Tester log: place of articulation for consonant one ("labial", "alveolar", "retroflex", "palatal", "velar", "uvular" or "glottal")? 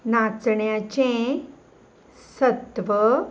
alveolar